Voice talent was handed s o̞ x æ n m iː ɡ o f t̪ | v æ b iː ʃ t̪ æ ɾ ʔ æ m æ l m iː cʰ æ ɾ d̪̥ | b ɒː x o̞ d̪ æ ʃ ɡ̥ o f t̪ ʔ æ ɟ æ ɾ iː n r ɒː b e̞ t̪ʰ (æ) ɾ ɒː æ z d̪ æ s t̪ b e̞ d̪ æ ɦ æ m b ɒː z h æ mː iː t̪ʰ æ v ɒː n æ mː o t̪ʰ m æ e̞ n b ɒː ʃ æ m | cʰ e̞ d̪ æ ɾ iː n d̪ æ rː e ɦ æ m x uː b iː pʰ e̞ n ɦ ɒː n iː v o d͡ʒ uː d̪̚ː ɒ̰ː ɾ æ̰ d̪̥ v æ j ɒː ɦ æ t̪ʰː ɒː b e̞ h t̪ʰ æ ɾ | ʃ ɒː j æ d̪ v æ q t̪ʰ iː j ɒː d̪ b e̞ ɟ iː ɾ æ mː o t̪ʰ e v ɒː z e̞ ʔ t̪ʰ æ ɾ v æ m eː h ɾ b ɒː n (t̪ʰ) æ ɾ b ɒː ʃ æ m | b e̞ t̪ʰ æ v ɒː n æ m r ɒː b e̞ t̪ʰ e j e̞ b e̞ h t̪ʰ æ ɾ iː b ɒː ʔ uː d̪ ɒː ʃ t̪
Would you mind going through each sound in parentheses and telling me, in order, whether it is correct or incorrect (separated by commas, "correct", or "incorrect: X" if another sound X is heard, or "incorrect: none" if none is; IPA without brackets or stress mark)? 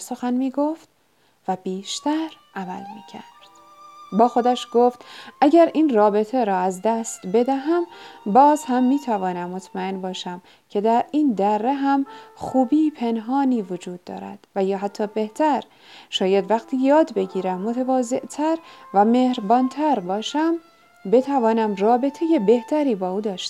incorrect: e, correct